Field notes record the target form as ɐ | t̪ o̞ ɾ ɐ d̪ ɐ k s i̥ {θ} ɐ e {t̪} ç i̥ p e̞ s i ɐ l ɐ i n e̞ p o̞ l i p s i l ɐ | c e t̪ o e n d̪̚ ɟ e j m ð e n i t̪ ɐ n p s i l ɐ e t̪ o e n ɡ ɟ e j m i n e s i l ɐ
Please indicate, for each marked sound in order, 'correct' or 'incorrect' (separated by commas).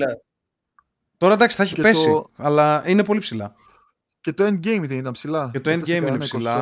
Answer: correct, incorrect